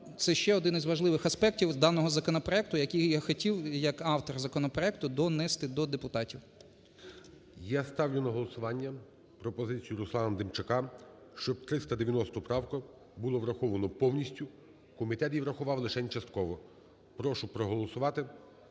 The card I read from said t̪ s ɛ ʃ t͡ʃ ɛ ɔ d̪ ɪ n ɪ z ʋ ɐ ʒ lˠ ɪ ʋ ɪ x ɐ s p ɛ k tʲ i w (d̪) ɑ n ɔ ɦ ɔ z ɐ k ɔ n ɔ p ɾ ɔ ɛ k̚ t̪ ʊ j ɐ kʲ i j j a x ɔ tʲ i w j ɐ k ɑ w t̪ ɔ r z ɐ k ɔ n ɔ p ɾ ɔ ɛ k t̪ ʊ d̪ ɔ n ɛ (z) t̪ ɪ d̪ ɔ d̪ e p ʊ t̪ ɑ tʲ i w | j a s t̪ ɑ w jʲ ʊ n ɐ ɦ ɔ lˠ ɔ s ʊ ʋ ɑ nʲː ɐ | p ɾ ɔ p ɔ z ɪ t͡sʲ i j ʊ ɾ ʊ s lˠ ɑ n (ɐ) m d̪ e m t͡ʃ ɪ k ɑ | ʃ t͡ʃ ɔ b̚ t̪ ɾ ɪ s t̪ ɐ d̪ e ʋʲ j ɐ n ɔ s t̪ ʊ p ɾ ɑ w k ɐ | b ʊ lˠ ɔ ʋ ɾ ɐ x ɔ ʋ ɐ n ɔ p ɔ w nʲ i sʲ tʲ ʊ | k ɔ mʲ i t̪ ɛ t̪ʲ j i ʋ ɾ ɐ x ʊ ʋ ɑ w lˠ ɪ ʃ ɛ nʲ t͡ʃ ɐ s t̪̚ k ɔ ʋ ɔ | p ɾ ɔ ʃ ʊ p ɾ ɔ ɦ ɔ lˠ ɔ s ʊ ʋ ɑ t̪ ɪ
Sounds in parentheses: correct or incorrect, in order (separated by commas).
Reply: correct, incorrect, correct